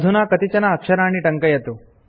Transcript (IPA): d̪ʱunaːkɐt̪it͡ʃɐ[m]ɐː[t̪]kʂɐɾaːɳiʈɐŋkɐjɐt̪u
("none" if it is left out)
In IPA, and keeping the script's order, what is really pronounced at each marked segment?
n, none

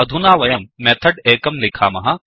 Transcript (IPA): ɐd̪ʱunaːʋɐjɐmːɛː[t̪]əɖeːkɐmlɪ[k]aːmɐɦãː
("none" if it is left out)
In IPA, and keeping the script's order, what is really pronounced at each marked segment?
t̪ʰ, kʰ

